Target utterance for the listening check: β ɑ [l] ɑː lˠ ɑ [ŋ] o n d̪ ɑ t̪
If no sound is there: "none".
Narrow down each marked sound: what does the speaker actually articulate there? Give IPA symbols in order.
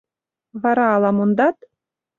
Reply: ɾ, m

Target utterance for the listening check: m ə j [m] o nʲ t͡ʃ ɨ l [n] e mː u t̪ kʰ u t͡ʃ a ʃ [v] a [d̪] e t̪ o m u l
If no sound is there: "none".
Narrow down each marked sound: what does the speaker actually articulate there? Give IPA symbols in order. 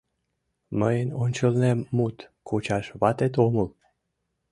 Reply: n, n, v, t̪

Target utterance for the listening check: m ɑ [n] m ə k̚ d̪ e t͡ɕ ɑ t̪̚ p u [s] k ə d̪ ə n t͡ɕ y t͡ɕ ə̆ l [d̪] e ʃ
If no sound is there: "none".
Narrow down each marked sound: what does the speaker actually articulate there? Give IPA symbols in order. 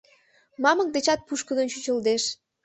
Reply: none, ʃ, d̪

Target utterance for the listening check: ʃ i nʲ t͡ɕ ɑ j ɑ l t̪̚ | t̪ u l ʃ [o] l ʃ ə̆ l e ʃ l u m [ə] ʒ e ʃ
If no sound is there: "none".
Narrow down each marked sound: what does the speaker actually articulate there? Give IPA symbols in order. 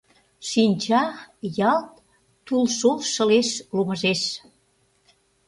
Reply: o, ə

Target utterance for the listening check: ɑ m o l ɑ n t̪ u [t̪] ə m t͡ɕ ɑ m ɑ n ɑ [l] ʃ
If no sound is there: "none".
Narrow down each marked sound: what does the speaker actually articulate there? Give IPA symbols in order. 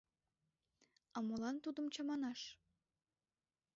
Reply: d̪, none

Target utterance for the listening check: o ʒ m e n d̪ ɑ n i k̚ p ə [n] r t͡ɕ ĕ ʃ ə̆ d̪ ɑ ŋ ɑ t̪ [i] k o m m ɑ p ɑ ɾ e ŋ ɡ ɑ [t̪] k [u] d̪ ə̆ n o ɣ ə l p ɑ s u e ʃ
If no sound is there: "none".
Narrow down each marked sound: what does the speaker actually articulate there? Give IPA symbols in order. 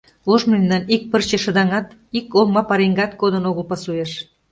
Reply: none, i, t̪, o

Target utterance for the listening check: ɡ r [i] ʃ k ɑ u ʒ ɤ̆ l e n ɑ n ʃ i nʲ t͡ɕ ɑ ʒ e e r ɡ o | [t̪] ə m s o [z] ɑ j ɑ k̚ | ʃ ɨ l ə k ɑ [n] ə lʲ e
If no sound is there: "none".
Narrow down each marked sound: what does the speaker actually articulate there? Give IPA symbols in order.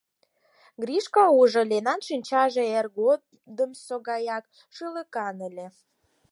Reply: i, d̪, ɣ, n

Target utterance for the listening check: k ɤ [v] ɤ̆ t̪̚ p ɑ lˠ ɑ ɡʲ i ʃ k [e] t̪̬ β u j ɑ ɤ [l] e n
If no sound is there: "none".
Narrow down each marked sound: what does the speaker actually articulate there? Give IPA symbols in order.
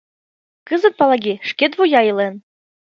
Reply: z, e, l

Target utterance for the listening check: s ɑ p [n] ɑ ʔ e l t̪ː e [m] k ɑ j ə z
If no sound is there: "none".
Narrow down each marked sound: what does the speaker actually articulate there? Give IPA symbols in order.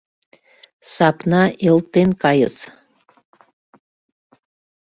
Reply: n, n

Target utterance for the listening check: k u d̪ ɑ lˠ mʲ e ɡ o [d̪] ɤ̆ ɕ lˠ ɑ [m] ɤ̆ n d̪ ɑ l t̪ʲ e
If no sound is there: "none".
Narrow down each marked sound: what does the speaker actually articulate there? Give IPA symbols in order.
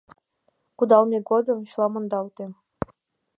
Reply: d̪, m

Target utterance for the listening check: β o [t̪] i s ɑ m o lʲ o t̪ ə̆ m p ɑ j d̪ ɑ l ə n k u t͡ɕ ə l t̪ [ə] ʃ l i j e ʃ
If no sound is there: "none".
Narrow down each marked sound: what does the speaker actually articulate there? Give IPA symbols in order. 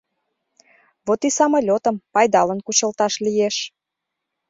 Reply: t̪, ɑ

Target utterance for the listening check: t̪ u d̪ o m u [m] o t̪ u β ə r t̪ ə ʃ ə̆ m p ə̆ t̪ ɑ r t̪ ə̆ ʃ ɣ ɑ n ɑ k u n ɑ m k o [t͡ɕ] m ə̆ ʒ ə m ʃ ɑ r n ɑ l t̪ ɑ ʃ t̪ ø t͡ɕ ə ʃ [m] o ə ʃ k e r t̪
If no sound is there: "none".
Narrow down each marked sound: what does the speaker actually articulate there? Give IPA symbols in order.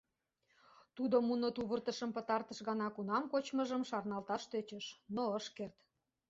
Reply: n, t͡ɕ, n

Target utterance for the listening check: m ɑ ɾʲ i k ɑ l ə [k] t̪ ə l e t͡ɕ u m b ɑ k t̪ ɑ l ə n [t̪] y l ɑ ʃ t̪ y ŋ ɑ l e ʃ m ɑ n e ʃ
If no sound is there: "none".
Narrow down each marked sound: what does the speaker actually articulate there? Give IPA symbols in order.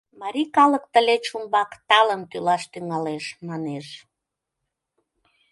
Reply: k, t̪

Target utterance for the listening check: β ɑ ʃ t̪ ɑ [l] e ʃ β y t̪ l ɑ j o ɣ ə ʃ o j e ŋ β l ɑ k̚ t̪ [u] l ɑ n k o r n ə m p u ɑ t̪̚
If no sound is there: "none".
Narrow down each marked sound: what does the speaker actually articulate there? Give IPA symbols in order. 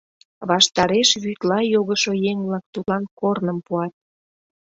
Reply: ɾ, u

